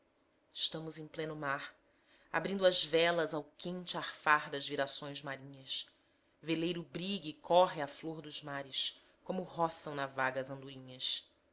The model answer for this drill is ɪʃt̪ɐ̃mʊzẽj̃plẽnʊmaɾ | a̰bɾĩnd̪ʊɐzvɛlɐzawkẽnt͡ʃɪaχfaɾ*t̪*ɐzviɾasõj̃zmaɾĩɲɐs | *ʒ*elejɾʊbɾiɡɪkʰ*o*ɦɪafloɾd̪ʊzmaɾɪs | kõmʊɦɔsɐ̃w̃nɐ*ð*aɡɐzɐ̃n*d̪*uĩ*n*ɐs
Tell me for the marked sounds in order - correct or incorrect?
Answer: incorrect, incorrect, incorrect, incorrect, correct, incorrect

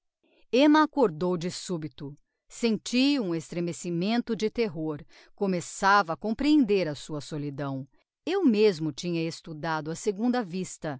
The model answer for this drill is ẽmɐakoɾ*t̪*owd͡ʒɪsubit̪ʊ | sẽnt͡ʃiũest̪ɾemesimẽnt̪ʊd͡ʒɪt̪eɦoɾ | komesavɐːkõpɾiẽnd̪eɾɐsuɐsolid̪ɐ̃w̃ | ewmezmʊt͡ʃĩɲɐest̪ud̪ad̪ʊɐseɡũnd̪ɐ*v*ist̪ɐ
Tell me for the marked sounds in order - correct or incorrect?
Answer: incorrect, correct

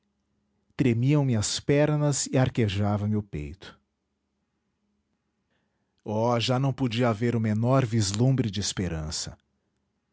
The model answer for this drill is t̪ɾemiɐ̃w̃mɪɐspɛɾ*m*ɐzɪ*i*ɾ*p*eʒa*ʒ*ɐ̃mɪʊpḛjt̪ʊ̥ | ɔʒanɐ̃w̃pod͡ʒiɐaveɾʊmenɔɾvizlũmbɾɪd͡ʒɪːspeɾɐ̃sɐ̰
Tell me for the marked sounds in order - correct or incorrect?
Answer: incorrect, incorrect, incorrect, incorrect

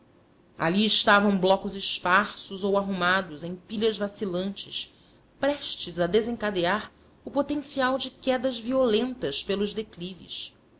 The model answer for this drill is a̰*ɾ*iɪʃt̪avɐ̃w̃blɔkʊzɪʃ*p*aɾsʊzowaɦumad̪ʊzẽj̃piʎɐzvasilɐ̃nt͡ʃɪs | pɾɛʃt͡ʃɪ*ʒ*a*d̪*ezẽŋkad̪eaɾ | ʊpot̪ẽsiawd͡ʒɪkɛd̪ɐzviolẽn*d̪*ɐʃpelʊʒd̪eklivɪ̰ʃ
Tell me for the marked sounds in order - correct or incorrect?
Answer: incorrect, correct, incorrect, correct, incorrect

